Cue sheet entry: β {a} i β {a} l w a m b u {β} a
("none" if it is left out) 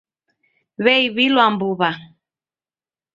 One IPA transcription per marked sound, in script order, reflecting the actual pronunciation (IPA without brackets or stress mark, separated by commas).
ɛ, i, β